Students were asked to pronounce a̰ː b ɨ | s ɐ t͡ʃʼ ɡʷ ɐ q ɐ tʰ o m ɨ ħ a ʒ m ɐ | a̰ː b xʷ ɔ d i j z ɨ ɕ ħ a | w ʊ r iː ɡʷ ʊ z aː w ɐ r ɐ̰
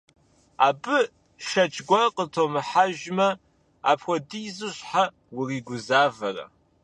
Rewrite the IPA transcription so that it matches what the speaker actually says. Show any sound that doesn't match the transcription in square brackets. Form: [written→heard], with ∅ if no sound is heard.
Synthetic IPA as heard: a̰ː b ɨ | [s→ʃ] ɐ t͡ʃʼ ɡʷ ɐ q [ɐ→ə] tʰ o m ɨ ħ a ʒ m ɐ | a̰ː [b→p] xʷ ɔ d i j z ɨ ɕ ħ a | w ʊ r iː ɡʷ ʊ z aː [w→v] ɐ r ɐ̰